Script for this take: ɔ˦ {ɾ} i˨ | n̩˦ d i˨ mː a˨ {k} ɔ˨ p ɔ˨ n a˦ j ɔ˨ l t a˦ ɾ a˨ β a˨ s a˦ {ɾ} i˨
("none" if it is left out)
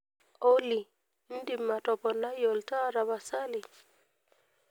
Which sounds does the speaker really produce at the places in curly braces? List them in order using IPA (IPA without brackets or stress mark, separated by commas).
l, t, l